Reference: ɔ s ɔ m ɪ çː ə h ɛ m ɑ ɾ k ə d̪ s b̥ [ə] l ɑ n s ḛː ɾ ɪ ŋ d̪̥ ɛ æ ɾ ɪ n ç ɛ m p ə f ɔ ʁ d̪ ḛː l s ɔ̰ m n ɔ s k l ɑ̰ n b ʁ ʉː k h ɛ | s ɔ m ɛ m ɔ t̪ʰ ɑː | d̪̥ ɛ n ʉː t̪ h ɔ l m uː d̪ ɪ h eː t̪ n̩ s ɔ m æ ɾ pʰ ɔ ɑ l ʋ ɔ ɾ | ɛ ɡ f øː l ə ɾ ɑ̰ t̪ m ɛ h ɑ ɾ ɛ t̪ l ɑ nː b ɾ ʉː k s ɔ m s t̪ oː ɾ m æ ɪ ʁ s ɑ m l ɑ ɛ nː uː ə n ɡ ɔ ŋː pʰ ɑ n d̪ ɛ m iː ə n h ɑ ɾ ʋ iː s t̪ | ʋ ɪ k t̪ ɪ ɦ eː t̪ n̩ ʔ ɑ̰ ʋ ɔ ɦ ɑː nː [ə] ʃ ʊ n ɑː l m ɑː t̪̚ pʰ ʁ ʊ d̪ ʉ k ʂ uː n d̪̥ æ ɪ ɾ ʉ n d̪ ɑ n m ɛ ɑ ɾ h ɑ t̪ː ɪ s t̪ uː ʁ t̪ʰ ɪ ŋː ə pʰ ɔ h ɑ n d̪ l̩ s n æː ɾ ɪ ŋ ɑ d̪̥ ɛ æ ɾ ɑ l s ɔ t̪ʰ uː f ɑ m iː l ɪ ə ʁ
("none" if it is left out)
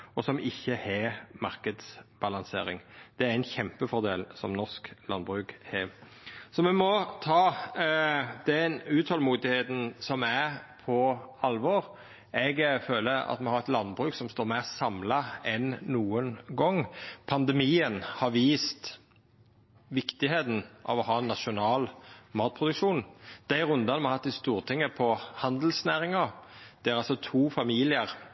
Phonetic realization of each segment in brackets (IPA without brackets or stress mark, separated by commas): ɑ, ɑ